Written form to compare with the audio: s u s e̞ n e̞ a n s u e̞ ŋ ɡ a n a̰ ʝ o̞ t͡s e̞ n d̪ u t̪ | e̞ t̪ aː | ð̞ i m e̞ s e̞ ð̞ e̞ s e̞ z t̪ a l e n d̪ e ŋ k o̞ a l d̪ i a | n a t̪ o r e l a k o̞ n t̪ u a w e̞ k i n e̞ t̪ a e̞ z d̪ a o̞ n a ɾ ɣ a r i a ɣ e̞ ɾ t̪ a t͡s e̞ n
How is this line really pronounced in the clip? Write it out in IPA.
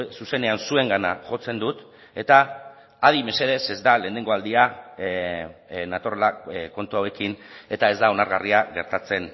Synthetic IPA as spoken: s u s e̞ n e̞ a n s u e̞ ŋ ɡ a n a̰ ʝ o̞ t͡s e̞ n d̪ u t̪ | e̞ t̪ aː | ð̞ i m e̞ s e̞ ð̞ e̞ s e̞ z d̪ a l e n d̪ e ŋ ɡ o̞ a l d̪ i a | n a t̪ o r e l a k o̞ n t̪ u a w e̞ k i n e̞ t̪ a e̞ z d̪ a o̞ n a ɾ ɣ a r i a ɣ e̞ ɾ t̪ a t͡s e̞ n